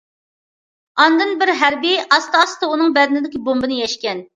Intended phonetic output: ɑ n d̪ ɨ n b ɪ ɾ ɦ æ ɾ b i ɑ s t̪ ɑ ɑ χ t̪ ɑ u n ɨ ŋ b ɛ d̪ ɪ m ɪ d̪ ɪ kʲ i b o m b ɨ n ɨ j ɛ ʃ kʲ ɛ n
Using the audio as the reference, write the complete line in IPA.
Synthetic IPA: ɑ n d̪ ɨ n b ɪ ɾ ɦ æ ɾ b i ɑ s t̪ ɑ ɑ s t̪ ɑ u n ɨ ŋ b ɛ d̪ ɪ n ɪ d̪ ɪ kʲ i b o m b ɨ n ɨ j ɛ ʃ kʲ ɛ n